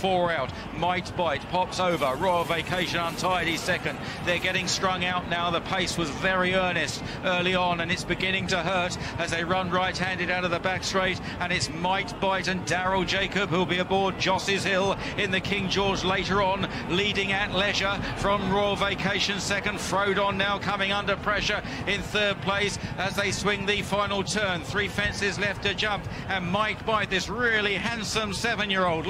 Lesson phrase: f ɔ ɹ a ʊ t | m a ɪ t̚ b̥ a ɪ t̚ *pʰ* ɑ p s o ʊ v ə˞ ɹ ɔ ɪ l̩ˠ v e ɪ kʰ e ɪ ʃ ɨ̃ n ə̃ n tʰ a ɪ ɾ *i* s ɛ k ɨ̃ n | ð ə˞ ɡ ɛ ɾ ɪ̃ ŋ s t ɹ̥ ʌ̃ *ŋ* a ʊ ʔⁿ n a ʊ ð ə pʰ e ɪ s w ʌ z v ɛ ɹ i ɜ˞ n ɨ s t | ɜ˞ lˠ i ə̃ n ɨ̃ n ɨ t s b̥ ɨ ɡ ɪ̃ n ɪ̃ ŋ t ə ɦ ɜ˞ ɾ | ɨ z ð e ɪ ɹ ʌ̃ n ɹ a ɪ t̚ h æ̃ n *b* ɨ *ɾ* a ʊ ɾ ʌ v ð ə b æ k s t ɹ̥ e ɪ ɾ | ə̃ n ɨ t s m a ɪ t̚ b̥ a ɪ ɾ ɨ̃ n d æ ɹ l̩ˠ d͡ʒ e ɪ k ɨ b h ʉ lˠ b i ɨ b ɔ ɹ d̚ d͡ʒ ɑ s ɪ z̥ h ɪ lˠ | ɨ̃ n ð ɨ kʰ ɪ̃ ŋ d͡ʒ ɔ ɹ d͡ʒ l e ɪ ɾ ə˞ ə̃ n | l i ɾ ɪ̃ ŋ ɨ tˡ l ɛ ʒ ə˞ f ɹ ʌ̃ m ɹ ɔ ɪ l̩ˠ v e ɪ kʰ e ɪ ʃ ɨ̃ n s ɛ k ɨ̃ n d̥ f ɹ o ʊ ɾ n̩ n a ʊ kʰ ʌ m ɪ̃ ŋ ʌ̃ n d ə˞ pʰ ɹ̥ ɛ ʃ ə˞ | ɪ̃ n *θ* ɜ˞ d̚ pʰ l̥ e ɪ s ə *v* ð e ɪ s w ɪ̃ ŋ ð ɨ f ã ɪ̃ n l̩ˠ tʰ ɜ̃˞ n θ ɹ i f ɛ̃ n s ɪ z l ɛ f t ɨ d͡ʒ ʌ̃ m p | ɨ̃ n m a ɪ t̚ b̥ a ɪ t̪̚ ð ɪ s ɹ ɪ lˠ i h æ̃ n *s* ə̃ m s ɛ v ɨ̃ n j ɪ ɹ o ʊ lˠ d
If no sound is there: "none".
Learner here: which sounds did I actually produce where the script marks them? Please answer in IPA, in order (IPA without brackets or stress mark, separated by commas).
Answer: pʰ, i, ŋ, d, ɾ, θ, z, s